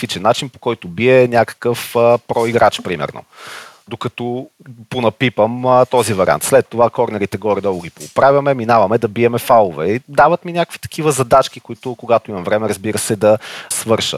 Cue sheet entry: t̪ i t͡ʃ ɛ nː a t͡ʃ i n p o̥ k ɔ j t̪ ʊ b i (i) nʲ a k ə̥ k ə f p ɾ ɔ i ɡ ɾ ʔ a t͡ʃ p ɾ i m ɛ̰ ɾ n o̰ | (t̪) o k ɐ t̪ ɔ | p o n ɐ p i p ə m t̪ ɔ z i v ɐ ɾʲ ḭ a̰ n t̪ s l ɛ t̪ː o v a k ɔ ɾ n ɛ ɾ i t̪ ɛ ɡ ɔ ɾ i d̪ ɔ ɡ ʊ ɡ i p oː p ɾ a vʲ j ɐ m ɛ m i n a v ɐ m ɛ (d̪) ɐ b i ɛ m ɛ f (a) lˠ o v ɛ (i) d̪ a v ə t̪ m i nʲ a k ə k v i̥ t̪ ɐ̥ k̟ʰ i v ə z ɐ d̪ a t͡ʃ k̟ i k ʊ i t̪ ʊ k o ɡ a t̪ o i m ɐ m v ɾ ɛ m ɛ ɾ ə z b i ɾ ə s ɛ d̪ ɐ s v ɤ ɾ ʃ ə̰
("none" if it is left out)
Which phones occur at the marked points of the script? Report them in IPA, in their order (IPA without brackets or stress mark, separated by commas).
ɛ, d̪, d̪, a, i